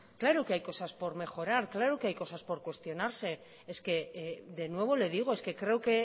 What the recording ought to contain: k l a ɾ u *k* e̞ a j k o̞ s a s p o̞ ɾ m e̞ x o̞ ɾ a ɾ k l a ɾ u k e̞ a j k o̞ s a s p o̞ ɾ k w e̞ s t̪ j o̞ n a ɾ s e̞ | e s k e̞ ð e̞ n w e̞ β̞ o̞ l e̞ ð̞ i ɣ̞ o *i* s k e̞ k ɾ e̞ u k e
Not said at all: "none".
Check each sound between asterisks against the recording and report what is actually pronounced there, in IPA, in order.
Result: k, e

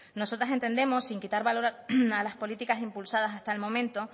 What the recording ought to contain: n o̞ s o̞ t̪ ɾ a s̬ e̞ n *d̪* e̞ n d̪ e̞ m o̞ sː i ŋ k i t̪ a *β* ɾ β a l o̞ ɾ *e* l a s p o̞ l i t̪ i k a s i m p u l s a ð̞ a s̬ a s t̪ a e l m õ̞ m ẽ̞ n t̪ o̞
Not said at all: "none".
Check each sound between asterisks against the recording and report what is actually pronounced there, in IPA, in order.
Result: t̪, none, a

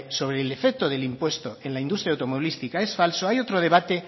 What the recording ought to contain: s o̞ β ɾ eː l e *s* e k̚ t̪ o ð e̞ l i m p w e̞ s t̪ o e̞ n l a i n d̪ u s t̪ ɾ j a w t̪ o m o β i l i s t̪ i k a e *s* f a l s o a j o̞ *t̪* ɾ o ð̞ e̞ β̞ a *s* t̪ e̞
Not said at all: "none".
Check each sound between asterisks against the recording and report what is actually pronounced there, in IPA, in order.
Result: f, s, t̪, none

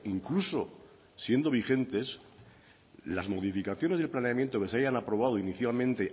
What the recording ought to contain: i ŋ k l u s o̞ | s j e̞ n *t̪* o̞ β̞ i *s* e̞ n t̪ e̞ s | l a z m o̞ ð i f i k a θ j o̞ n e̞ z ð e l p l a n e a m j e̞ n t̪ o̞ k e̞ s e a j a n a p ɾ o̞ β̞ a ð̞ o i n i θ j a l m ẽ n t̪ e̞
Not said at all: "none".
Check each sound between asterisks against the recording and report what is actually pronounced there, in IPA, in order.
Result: d̪, x

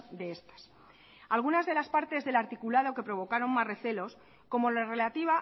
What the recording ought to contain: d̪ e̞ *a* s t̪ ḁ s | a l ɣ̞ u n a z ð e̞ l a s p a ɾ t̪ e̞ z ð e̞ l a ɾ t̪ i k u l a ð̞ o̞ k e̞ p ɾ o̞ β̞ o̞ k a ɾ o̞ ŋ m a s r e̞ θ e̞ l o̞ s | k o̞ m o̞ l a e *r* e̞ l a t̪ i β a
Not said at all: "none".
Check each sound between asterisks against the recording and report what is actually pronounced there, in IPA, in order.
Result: e, r

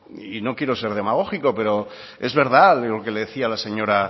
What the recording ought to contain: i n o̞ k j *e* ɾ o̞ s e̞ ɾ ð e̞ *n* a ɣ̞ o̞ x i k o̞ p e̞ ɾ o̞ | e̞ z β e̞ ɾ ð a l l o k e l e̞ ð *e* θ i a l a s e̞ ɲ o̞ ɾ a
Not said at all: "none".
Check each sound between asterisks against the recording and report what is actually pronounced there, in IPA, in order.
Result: e, m, e

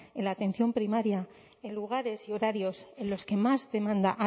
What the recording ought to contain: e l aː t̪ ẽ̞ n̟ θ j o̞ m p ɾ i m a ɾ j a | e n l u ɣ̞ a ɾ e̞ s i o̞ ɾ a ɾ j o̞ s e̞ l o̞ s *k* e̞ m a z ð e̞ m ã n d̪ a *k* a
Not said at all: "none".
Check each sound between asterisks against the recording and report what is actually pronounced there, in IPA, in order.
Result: k, ʔ

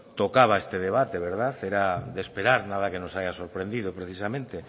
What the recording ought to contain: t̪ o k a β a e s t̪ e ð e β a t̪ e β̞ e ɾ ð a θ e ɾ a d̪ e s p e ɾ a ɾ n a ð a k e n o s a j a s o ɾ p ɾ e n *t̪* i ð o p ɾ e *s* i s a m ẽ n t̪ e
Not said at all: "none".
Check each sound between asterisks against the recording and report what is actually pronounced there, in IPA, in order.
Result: d̪, θ

